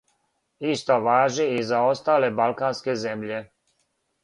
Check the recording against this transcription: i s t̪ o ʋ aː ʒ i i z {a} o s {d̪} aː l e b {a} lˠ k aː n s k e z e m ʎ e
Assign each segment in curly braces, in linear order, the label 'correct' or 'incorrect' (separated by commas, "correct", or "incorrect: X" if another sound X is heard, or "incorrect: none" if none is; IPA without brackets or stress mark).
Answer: correct, incorrect: t̪, correct